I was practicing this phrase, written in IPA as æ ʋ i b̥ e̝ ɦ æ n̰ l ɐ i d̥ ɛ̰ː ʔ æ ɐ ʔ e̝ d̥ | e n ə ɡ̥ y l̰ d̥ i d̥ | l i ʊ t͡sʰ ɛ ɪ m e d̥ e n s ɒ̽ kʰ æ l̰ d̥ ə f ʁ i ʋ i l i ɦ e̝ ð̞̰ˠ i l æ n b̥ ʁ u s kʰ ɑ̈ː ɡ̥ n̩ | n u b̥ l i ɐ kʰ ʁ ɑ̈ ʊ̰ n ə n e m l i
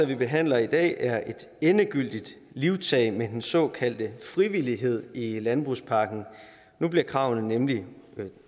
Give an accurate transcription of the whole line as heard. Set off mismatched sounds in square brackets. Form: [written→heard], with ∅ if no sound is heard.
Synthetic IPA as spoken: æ ʋ i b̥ e̝ ɦ æ n̰ l ɐ i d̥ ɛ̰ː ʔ æ ɐ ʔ e̝ d̥ | e n ə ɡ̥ y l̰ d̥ i d̥ | l i ʊ t͡sʰ ɛ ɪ m e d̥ e n s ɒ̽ kʰ æ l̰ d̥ ə f ʁ i ʋ i l i ɦ e̝ ð̞̰ˠ i l æ n b̥ ʁ u s [kʰ→pʰ] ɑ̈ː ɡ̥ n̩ | n u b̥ l i ɐ kʰ ʁ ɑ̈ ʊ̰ n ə n e m l i